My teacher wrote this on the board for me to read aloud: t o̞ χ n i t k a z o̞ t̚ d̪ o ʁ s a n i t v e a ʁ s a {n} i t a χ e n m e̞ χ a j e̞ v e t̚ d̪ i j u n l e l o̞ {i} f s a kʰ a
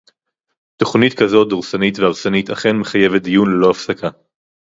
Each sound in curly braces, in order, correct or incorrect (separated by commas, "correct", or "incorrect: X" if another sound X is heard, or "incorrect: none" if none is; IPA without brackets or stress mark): correct, incorrect: a